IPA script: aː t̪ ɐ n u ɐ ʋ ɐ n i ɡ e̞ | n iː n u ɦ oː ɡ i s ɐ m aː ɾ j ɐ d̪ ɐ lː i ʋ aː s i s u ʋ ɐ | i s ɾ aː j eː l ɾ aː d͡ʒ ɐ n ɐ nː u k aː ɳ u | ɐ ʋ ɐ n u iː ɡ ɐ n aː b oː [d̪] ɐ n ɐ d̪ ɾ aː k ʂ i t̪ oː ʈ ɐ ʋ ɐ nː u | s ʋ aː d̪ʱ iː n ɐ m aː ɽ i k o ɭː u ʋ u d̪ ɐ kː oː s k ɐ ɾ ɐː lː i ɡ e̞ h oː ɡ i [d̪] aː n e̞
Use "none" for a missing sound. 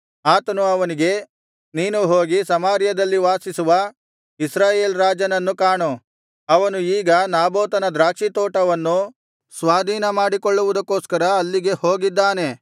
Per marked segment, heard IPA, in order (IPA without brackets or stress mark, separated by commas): t̪, d̪ː